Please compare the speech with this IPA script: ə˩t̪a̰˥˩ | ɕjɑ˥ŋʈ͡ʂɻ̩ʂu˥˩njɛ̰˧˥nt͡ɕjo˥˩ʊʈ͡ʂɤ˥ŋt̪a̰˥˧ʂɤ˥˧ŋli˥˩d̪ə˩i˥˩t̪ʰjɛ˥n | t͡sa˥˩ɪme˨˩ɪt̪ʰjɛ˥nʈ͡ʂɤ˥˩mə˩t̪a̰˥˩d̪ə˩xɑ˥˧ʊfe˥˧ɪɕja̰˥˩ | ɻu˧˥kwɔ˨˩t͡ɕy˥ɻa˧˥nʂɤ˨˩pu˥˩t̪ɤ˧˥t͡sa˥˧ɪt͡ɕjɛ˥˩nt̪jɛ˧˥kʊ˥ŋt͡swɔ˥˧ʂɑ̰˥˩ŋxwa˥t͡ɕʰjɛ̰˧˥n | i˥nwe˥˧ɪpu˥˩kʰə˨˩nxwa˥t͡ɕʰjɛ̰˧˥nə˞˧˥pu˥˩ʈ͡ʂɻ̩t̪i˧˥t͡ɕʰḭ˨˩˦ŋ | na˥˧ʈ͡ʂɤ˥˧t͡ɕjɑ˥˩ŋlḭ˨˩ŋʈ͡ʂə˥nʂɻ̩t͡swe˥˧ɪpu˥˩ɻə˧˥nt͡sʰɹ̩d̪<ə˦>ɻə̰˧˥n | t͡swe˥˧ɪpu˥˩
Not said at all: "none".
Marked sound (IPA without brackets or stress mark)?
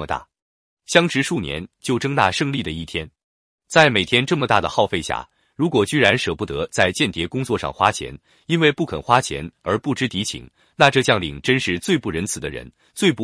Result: ə˦